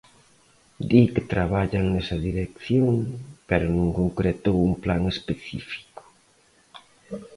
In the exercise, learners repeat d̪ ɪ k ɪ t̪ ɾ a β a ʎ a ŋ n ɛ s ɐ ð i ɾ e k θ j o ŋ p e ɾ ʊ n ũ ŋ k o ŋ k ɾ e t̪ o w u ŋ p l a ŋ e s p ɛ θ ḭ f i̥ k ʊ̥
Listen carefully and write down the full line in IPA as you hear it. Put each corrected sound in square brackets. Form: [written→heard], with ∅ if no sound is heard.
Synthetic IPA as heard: d̪ [ɪ→i] k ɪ t̪ ɾ a β a ʎ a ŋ n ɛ s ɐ ð i ɾ e k θ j o ŋ p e ɾ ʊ n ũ ŋ k o ŋ k ɾ e t̪ o w u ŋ p l a ŋ e s p [ɛ→e] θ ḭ f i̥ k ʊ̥

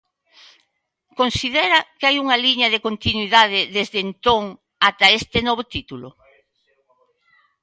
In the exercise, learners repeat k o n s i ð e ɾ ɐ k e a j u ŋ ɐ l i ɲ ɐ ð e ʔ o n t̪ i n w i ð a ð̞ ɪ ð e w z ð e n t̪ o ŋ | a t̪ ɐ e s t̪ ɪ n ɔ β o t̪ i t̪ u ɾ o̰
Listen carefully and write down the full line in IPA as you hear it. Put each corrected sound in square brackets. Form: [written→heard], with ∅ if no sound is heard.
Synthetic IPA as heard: k o n s i ð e ɾ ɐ k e a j u ŋ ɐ l i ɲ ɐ ð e [ʔ→k] o n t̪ i n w i ð a ð̞ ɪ ð e [w→∅] z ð e n t̪ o ŋ | a t̪ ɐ e s t̪ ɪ n ɔ β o t̪ i t̪ u [ɾ→l] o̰

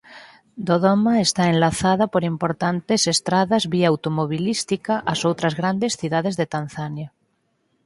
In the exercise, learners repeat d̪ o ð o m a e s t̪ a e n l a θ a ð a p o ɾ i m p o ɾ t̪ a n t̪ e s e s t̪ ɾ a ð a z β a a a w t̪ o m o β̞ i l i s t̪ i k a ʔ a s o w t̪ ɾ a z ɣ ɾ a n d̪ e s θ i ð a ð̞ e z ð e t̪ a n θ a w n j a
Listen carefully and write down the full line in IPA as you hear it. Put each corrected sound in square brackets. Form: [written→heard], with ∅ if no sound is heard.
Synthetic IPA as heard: d̪ o ð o m a e s t̪ a e n l a θ a ð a p o ɾ i m p o ɾ t̪ a n t̪ e s e s t̪ ɾ a ð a z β [a→i] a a w t̪ o m o β̞ i l i s t̪ i k a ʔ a s o w t̪ ɾ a z ɣ ɾ a n d̪ e s θ i ð a ð̞ e z ð e t̪ a n θ a [w→∅] n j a

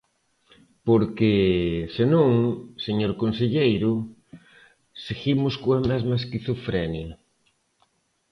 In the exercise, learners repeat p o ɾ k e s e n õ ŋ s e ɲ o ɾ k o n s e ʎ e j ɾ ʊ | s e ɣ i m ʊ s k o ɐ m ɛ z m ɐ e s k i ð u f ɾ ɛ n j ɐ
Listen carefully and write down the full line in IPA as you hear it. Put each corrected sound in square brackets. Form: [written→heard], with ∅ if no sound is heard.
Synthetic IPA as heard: p o ɾ k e s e n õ ŋ s e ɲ o ɾ k o n s e ʎ e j ɾ ʊ | s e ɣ i m ʊ s k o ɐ m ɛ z m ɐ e s k i [ð→θ] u f ɾ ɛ n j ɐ

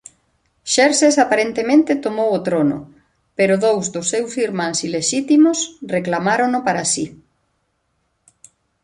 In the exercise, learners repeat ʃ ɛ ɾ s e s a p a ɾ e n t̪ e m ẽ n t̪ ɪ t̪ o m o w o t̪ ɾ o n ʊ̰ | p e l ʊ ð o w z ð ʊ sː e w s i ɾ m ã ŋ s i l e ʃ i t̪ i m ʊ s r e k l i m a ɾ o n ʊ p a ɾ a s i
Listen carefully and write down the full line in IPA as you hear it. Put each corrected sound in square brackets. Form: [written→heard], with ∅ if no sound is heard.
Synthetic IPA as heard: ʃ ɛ ɾ s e s a p a ɾ e n t̪ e m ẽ n t̪ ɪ t̪ o m o w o t̪ ɾ o n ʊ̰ | p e [l→ɾ] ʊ ð o w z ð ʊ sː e w s i ɾ m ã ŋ s i l e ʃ i t̪ i m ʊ s r e k l [i→a] m a ɾ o n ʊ p a ɾ a s i

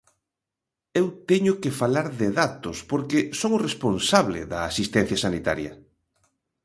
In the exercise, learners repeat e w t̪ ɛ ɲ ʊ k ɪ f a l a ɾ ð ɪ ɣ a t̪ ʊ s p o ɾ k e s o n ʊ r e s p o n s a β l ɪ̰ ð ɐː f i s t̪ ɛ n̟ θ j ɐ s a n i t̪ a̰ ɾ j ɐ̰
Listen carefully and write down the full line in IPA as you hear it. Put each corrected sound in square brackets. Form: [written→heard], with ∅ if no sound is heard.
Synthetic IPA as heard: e w t̪ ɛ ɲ ʊ k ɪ f a l a ɾ ð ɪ [ɣ→ð] a t̪ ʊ s p o ɾ k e s o [n→ŋ] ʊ r e s p o n s a β l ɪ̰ ð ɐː [f→s] i s t̪ ɛ n̟ θ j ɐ s a n i t̪ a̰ ɾ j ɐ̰

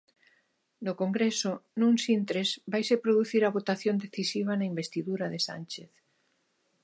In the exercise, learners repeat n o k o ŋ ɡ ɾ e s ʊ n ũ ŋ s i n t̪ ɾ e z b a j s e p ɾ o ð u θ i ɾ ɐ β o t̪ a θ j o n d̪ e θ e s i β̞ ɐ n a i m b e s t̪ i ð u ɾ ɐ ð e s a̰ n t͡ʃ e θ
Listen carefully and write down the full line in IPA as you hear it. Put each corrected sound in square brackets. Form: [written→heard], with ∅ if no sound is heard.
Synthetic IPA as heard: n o k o ŋ ɡ ɾ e s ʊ n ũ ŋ s i n t̪ ɾ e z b a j s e p ɾ o ð u θ i ɾ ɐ β o t̪ a θ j o n d̪ e θ [e→i] s i β̞ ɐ n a i m b e s t̪ i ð u ɾ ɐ ð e s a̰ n t͡ʃ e θ

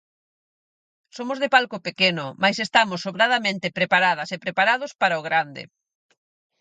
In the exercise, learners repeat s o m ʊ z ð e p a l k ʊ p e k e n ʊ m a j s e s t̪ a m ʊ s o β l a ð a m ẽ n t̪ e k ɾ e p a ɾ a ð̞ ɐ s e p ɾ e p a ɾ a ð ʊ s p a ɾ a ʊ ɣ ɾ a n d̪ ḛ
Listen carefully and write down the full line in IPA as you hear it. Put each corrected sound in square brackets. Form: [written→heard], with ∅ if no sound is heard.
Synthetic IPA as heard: s o m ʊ z ð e p a l k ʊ p e k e n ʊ m a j s e s t̪ a m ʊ s o β [l→ɾ] a ð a m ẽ n t̪ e [k→p] ɾ e p a ɾ a ð̞ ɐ s e p ɾ e p a ɾ a ð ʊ s p a ɾ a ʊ ɣ ɾ a n d̪ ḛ

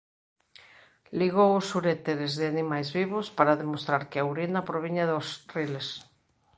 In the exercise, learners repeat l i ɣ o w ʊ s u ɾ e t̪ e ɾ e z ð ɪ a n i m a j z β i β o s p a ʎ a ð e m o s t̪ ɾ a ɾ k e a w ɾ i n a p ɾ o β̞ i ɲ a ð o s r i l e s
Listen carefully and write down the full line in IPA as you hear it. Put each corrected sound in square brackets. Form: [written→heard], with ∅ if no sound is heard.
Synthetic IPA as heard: l i ɣ o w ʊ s u ɾ e t̪ e ɾ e z ð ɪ a n i m a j z β i β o s p a [ʎ→ɾ] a ð e m o s t̪ ɾ a ɾ k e a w ɾ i n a p ɾ o β̞ i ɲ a ð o s r i l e s

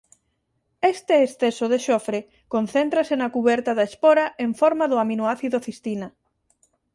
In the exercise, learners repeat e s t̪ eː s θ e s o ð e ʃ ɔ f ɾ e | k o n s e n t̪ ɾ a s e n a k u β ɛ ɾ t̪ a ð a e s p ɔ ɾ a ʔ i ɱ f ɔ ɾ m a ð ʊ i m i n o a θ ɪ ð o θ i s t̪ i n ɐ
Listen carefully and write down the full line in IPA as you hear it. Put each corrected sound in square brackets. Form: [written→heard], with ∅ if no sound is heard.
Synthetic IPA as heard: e s t̪ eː s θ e s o ð e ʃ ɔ f ɾ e | k o n [s→θ] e n t̪ ɾ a s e n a k u β ɛ ɾ t̪ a ð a e s p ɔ ɾ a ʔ [i→e] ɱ f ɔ ɾ m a ð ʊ [i→a] m i n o a θ [ɪ→i] ð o θ i s t̪ i n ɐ

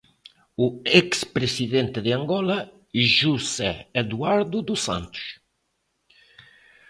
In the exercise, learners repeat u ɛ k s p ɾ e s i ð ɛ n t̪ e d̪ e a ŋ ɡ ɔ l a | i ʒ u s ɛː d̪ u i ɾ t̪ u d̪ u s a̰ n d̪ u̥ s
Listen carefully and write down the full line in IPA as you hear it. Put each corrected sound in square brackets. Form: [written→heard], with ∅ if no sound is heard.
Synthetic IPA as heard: u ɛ k s p ɾ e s i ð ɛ n t̪ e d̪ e a ŋ ɡ ɔ l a | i ʒ u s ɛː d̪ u [i→a] ɾ [t̪→d̪] u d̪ u s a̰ n [d̪→t̪] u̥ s

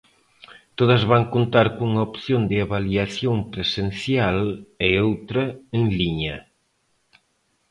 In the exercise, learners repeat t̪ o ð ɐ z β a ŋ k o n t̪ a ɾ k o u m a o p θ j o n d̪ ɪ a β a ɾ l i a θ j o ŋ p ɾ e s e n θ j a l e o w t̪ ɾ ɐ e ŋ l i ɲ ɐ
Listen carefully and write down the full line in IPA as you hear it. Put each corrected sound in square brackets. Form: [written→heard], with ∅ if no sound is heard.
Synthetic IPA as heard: t̪ o ð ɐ z β a ŋ k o n t̪ a ɾ k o u [m→ŋ] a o p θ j o n d̪ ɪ a β a [ɾ→∅] l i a θ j o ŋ p ɾ e s e n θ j a l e o w t̪ ɾ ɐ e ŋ l i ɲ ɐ

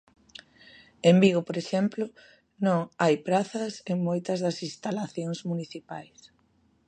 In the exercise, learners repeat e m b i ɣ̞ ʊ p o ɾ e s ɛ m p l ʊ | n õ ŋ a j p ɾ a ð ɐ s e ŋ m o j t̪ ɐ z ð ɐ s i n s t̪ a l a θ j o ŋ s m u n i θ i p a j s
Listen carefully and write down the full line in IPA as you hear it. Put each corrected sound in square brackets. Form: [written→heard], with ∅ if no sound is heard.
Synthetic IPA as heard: e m b i ɣ̞ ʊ p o ɾ e [s→ʃ] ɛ m p l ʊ | n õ ŋ a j p ɾ a [ð→θ] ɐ s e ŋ m o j t̪ ɐ z ð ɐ s i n s t̪ a l a θ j o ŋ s m u n i θ i p a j s

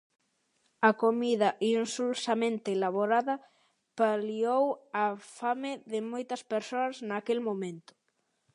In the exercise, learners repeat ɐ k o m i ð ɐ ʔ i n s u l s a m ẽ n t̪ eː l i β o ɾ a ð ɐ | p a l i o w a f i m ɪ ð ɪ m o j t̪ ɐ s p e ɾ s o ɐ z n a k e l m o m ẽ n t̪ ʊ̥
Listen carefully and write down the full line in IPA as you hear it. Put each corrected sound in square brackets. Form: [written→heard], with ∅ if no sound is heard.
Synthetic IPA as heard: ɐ k o m i ð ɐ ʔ i n s u l s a m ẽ n t̪ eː l [i→a] β o ɾ a ð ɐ | p a l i o w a f [i→a] m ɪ ð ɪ m o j t̪ ɐ s p e ɾ s o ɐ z n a k e l m o m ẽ n t̪ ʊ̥

